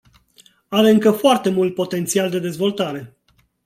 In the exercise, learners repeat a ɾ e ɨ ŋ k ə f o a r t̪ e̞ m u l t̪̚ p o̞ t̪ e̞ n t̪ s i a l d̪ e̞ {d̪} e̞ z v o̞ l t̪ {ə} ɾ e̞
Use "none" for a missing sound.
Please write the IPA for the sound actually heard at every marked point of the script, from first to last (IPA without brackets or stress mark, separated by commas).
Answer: d̪, a